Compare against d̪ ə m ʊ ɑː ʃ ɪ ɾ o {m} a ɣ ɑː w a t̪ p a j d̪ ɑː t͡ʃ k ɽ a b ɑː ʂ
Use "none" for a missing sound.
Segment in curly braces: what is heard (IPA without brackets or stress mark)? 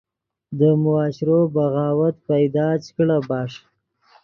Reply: b